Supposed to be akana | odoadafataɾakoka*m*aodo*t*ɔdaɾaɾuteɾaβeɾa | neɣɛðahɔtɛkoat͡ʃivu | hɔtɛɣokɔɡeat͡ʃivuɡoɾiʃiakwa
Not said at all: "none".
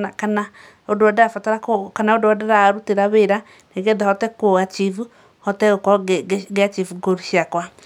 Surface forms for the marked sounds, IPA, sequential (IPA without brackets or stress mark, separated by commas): n, none